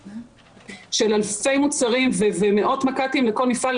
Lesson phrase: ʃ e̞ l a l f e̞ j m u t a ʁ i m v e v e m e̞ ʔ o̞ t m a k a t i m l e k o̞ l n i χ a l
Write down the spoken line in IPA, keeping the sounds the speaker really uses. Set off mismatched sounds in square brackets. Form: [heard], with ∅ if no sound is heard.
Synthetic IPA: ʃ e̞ l a l f e̞ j m u [t͡s] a ʁ i m v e v e m e̞ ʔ o̞ t m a k a t i m l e k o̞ l n i [f] a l